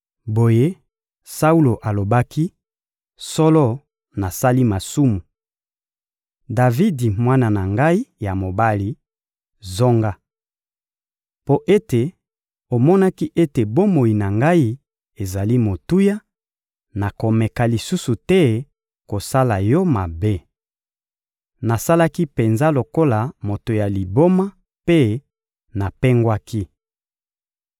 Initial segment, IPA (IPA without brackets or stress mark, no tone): b